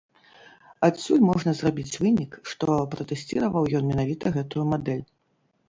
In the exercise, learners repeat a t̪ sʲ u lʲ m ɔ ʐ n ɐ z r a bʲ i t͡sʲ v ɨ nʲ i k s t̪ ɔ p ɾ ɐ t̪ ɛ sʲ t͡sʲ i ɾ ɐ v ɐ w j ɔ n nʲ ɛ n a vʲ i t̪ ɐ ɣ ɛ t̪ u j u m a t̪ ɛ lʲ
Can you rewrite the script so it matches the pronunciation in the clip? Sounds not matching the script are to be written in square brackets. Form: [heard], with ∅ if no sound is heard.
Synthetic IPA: a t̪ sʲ u lʲ m ɔ ʐ n ɐ z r a bʲ i t͡sʲ v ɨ nʲ i k [ʂ] t̪ ɔ p ɾ ɐ t̪ ɛ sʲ t͡sʲ i ɾ ɐ v ɐ w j ɔ n [mʲ] ɛ n a vʲ i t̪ ɐ ɣ ɛ t̪ u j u m a [d̪] ɛ lʲ

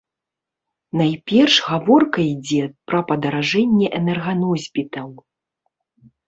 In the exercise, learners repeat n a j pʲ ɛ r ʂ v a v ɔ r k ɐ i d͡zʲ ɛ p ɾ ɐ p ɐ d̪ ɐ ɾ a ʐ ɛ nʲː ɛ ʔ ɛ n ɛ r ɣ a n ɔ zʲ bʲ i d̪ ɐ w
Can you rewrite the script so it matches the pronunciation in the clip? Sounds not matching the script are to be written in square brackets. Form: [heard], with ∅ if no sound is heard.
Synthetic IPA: n a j pʲ ɛ r ʂ [ɣ] a v ɔ r k ɐ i d͡zʲ ɛ p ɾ ɐ p ɐ d̪ ɐ ɾ a ʐ ɛ nʲː ɛ ʔ ɛ n ɛ r ɣ a n ɔ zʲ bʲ i [t̪] ɐ w

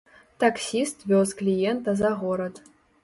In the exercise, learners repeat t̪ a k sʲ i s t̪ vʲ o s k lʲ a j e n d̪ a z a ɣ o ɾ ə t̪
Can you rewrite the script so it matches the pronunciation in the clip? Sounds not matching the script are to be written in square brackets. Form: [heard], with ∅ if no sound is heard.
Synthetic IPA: t̪ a k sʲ i s t̪ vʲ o s k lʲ [i] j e n [t̪] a z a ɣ o ɾ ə t̪

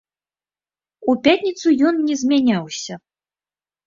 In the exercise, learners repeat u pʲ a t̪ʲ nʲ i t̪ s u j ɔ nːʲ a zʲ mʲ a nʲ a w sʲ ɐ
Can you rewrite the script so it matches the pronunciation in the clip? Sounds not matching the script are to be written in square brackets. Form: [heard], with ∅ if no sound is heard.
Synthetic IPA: u pʲ a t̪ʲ nʲ i t̪ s u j ɔ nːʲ [ɛ] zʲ mʲ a nʲ a w sʲ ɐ

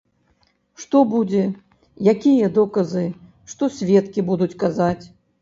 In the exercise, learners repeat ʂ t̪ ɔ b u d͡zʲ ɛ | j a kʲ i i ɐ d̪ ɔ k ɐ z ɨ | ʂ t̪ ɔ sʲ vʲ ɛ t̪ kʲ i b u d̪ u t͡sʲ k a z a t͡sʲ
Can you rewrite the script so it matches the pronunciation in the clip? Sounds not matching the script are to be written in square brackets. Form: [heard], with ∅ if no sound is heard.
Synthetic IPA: ʂ t̪ ɔ b u d͡zʲ ɛ | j a kʲ i [j] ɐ d̪ ɔ k ɐ z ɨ | ʂ t̪ ɔ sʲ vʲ ɛ t̪ kʲ i b u d̪ u t͡sʲ k a z a t͡sʲ

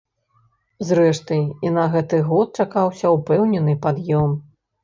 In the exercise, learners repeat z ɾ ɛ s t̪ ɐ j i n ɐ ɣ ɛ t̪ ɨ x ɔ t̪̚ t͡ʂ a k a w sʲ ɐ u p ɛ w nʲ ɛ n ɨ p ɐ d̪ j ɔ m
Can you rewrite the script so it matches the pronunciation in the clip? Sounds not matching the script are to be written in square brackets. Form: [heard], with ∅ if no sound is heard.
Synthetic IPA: z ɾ ɛ [ʂ] t̪ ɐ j i n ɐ ɣ ɛ t̪ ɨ [ɣ] ɔ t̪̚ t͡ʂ a k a w sʲ ɐ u p ɛ w nʲ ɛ n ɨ p [a] d̪ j ɔ m

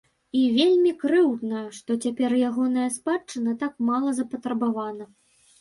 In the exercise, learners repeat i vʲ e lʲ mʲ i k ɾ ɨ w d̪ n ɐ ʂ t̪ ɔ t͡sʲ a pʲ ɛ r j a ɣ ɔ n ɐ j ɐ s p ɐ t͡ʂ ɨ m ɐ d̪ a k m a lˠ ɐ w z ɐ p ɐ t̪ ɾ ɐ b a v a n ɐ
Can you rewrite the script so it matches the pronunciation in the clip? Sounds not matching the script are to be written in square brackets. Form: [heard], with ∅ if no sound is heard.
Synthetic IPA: i vʲ e lʲ mʲ i k ɾ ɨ w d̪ n ɐ ʂ t̪ ɔ t͡sʲ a pʲ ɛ r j a ɣ ɔ n ɐ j ɐ s p [a] t͡ʂ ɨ [n] ɐ [t̪] a k m a lˠ ɐ [∅] z ɐ p ɐ t̪ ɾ ɐ b a v a n ɐ

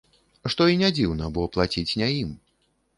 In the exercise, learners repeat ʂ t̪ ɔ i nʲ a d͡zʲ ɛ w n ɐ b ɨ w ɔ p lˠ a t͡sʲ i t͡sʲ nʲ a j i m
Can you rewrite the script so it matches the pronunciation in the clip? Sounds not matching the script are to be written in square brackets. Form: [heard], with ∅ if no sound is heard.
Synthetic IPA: ʂ t̪ ɔ i nʲ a d͡zʲ [i] w n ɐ b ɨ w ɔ p lˠ a t͡sʲ i t͡sʲ nʲ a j i m

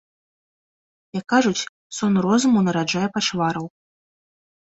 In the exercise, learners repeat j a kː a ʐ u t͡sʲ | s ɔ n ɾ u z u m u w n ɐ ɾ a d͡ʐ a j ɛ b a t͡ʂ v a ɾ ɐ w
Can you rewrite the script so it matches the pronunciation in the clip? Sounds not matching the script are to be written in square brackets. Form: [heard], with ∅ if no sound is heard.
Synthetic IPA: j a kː a ʐ u t͡sʲ | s ɔ n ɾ [ɔ] z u m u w n ɐ ɾ a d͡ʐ a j ɛ [p] a t͡ʂ v a ɾ ɐ w

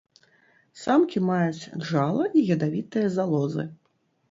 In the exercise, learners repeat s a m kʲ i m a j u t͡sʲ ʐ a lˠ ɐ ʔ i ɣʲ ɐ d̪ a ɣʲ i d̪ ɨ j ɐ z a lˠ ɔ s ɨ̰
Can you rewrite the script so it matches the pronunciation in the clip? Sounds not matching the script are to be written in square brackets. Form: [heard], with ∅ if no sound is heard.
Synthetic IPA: s a m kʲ i m a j u t͡sʲ ʐ a lˠ ɐ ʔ i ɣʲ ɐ d̪ a [vʲ] i [t̪] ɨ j ɐ z a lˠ ɔ [z] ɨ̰

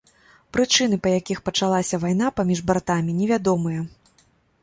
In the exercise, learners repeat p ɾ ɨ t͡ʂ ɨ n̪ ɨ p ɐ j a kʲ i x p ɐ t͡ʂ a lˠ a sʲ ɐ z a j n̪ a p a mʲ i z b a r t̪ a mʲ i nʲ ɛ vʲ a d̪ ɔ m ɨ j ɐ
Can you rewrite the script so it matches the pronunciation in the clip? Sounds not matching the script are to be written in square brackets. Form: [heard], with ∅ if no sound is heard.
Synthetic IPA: p ɾ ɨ t͡ʂ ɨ n̪ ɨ p ɐ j a kʲ i x p ɐ t͡ʂ a lˠ a sʲ ɐ [v] a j n̪ a p a mʲ i [ʐ] b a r t̪ a mʲ i nʲ ɛ vʲ a d̪ ɔ m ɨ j ɐ

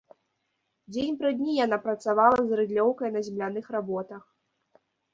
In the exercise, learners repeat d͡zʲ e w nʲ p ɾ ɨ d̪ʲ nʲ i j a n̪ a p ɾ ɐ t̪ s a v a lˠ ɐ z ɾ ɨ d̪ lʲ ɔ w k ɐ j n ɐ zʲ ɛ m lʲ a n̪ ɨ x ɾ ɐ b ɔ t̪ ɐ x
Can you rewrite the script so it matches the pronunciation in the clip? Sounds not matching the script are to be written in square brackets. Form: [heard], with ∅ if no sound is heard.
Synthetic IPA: d͡zʲ e [∅] nʲ p ɾ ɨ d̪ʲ nʲ i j a n̪ a p ɾ ɐ t̪ s a v a lˠ ɐ z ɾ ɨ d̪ lʲ ɔ w k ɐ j n ɐ zʲ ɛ m lʲ a n̪ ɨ x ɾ [a] b ɔ t̪ ɐ x

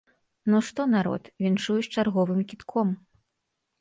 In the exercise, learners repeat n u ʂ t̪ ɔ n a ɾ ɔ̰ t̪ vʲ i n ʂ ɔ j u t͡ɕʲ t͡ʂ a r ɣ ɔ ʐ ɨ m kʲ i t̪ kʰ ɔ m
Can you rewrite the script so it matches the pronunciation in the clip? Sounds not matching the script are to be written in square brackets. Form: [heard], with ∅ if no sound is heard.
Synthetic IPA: n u ʂ t̪ ɔ n a ɾ ɔ̰ t̪ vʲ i n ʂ [u] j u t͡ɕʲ t͡ʂ a r ɣ ɔ [v] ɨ m kʲ i t̪ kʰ ɔ m

